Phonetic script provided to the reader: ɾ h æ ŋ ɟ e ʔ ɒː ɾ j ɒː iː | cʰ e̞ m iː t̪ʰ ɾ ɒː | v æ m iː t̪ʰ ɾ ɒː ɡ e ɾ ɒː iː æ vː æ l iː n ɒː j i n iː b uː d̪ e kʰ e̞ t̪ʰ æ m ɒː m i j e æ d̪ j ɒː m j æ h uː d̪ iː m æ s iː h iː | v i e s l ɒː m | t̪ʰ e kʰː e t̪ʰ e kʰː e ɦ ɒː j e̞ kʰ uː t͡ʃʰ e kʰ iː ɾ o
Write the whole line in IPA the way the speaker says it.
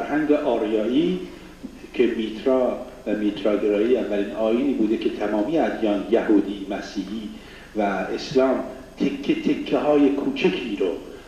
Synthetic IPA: ɾ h æ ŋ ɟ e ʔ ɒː ɾ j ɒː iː | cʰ e̞ m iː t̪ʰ ɾ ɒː | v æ m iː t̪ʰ ɾ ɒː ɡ e ɾ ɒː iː æ vː æ l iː n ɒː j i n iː b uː d̪ e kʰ e̞ t̪ʰ æ m ɒː m i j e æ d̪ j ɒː n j æ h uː d̪ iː m æ s iː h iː | v æ e s l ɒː m | t̪ʰ e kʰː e t̪ʰ e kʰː e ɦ ɒː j e̞ kʰ uː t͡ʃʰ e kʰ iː ɾ o